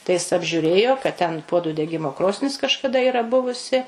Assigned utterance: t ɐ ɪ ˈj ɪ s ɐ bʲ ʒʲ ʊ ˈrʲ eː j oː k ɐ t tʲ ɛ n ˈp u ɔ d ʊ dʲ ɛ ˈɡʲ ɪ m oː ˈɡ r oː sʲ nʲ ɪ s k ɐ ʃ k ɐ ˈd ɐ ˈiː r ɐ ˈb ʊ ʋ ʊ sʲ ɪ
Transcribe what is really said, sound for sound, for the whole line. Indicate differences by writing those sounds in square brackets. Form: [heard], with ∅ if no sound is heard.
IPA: t ɐ ɪ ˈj ɪ s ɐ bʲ ʒʲ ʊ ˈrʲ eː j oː k ɐ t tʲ ɛ n ˈp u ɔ d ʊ dʲ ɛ ˈɡʲ ɪ m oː [ˈk] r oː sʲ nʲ ɪ s k ɐ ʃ k ɐ ˈd ɐ ˈiː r ɐ ˈb ʊ ʋ ʊ sʲ ɪ